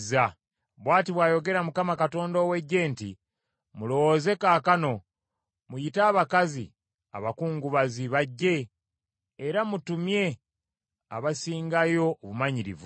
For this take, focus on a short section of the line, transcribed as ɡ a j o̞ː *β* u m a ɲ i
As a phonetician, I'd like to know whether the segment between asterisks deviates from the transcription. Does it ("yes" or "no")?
no